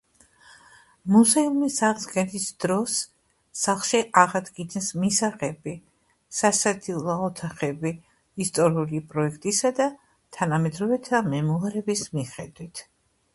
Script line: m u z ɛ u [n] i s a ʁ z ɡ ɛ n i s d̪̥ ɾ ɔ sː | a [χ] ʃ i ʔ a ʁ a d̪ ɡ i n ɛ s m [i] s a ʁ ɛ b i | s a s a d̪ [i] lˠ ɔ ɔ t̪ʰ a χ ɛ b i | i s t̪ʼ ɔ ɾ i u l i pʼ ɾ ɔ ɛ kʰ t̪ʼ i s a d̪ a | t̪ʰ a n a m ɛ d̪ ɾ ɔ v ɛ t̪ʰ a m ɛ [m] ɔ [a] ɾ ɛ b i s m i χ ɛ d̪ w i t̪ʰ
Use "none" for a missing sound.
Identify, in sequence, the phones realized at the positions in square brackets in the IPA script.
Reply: m, χ, i, i, m, a

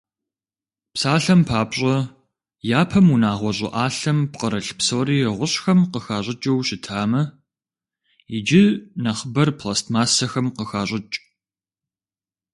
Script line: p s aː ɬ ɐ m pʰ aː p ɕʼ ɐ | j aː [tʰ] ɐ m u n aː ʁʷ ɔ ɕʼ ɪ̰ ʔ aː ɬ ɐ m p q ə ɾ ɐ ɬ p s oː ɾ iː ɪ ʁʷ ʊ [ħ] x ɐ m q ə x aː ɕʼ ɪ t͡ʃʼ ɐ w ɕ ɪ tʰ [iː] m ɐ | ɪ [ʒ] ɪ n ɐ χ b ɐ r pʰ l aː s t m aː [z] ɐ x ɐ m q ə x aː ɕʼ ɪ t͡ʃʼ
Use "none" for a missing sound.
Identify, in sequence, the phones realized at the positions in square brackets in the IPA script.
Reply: pʰ, ɕ, aː, d͡ʒ, s

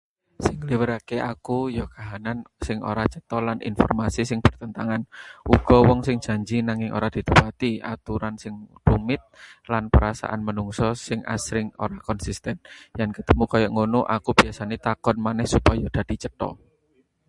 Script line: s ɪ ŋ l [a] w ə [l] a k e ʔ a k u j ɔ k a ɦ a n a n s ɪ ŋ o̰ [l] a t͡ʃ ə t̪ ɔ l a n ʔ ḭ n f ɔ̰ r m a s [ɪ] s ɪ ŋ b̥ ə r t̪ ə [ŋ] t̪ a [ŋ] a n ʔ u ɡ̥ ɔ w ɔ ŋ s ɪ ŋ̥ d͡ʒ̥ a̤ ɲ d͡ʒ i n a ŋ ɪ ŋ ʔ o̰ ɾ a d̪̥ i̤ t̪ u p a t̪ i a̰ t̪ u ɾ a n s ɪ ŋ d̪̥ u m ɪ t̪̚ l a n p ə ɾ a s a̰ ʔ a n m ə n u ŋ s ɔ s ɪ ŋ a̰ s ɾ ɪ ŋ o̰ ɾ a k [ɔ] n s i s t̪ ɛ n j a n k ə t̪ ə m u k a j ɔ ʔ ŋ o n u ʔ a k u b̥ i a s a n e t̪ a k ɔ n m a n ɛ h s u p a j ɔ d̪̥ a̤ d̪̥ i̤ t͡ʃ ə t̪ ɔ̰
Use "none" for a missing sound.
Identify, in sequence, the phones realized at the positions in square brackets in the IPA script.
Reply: i, ɾ, ɾ, i, n, ŋ, ɔ

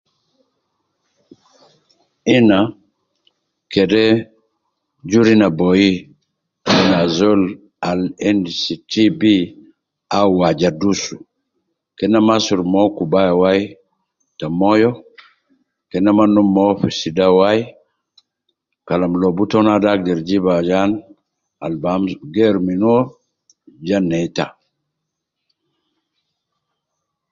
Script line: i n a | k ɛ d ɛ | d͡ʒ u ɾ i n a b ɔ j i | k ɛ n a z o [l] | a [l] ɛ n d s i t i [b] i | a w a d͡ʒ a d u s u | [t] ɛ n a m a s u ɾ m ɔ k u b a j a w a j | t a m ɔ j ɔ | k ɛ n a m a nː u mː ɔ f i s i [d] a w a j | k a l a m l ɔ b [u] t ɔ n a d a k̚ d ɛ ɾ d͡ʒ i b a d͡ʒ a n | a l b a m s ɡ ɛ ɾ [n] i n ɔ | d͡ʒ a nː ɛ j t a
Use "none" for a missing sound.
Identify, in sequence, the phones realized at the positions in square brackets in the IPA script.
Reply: l, l, b, k, d, u, m

